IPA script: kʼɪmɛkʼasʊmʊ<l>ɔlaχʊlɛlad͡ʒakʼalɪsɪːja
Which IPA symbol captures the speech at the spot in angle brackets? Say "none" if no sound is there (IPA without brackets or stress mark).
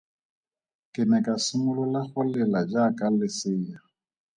l